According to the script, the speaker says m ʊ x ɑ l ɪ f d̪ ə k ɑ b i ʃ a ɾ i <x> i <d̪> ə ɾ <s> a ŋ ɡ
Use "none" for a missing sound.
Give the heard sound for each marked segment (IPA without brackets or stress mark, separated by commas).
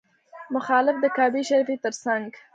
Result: f, t̪, s